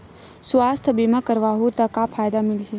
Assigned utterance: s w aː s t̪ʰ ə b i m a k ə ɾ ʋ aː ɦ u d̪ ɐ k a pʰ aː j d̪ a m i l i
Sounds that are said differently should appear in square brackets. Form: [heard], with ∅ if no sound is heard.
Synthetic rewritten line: s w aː s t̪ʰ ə b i m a k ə ɾ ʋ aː ɦ u [t̪] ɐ k a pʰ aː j d̪ a m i l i